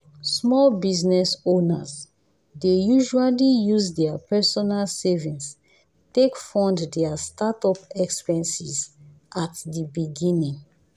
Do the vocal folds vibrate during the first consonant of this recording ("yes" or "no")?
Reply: no